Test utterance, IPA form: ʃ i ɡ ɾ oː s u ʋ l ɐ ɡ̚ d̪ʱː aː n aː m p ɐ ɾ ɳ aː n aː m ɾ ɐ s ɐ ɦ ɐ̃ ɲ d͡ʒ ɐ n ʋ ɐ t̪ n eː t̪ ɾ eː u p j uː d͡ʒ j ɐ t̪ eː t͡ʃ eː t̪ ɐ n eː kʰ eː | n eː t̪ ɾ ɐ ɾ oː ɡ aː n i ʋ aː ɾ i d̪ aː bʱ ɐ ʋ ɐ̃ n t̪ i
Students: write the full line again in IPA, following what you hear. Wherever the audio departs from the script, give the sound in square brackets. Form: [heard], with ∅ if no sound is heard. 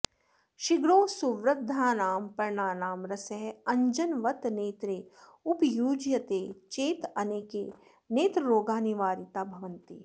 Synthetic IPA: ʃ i ɡ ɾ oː s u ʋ [ɾ] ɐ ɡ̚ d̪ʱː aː n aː m p ɐ ɾ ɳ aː n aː m ɾ ɐ s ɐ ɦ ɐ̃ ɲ d͡ʒ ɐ n ʋ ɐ t̪ n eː t̪ ɾ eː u p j uː d͡ʒ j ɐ t̪ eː t͡ʃ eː t̪ ɐ n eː [k] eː | n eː t̪ ɾ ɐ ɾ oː ɡ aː n i ʋ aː ɾ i [t̪] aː bʱ ɐ ʋ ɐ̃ n t̪ i